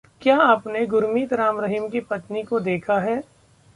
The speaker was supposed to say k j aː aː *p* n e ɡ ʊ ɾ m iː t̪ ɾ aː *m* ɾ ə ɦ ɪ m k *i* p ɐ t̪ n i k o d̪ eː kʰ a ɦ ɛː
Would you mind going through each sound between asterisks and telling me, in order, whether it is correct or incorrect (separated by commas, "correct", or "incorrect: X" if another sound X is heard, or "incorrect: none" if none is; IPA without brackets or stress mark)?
correct, correct, correct